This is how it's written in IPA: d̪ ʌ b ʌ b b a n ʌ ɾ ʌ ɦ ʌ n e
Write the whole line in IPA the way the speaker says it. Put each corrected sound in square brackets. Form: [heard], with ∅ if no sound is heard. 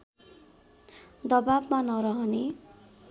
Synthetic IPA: d̪ ʌ b [a] b [m] a n ʌ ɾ ʌ ɦ ʌ n e